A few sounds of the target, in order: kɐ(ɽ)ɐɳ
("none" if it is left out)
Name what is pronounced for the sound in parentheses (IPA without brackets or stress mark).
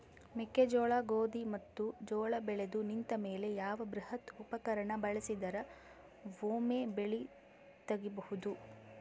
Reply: ɾ